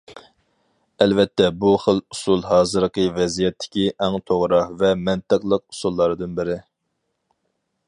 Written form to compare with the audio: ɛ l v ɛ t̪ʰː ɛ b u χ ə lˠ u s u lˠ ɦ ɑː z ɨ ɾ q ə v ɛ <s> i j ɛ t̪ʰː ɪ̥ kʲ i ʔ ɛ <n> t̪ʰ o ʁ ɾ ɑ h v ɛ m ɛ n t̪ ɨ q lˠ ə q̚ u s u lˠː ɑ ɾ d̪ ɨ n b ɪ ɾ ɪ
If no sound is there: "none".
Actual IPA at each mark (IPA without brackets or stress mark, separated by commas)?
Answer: z, ŋ